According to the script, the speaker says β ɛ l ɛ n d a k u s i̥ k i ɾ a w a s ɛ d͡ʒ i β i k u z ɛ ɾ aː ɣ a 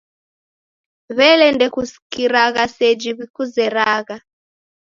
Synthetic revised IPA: β ɛ l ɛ n d ɛ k u s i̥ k i ɾ a ɣ a s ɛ d͡ʒ i β i k u z ɛ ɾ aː ɣ a